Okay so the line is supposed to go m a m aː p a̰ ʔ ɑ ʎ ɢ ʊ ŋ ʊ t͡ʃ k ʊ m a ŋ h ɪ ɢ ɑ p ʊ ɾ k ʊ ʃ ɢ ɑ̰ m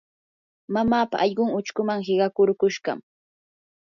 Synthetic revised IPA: m a m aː p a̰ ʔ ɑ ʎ ɢ ʊ ŋ ʊ t͡ʃ k ʊ m a ŋ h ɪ ɢ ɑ k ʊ ɾ k ʊ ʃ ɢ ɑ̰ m